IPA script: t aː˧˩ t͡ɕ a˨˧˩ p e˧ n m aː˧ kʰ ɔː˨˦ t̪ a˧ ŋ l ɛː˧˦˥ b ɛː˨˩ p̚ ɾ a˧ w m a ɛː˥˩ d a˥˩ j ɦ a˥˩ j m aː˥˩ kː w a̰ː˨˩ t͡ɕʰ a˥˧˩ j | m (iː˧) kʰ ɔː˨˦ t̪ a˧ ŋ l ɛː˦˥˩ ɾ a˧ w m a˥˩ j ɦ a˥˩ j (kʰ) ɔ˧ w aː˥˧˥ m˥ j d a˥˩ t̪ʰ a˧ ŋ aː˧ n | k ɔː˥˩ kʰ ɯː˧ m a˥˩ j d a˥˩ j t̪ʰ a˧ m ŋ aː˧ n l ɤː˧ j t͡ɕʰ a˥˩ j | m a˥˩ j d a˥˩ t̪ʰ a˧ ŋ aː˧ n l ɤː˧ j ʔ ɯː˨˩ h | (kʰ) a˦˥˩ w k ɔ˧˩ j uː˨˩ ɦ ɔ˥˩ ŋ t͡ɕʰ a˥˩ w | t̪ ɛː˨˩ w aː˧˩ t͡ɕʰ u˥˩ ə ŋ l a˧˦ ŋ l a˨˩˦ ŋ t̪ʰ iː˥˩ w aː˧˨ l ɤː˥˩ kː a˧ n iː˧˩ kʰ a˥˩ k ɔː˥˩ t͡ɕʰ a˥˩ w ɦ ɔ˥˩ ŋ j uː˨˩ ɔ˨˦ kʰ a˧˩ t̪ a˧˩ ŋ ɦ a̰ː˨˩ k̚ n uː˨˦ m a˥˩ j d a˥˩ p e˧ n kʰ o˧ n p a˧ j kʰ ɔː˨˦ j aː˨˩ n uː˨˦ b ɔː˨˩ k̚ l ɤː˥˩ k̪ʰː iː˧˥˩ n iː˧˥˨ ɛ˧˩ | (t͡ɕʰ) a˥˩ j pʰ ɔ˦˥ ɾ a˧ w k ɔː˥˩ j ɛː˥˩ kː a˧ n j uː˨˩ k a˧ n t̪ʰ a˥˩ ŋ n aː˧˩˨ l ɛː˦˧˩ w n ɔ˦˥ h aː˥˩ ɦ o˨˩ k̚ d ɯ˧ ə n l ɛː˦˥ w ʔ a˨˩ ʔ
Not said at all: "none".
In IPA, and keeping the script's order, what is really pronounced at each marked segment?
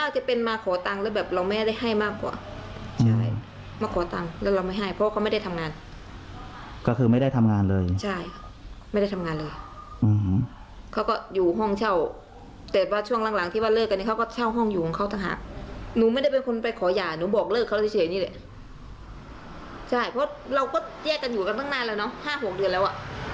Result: aː˧, pʰ, kʰ, t͡ɕʰ

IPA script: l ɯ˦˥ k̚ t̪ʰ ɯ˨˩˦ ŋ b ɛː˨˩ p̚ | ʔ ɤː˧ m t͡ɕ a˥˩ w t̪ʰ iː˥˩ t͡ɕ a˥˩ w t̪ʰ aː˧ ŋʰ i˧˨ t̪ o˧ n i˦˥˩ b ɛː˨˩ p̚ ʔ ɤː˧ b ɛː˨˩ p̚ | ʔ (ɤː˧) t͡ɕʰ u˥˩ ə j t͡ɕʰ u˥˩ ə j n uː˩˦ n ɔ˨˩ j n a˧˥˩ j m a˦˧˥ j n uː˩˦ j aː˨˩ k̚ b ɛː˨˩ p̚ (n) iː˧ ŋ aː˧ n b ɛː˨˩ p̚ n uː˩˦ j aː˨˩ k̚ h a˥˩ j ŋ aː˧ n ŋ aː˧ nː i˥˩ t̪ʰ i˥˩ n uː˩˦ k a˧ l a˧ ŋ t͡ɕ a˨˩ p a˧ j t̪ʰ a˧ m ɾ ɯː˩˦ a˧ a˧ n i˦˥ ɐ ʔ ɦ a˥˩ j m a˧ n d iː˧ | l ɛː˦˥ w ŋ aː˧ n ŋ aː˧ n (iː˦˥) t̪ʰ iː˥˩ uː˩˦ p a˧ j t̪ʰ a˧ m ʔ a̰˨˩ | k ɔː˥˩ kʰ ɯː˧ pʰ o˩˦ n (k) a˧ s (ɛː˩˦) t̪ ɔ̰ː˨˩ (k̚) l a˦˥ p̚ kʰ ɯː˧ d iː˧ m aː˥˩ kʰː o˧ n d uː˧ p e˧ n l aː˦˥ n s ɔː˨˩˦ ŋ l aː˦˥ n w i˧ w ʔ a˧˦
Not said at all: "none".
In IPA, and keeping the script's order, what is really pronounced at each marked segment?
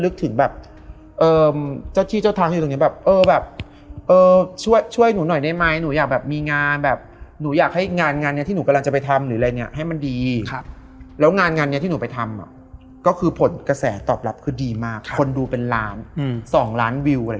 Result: ɤː˧, m, i˦˥, k, ɛː˩˦, p̚

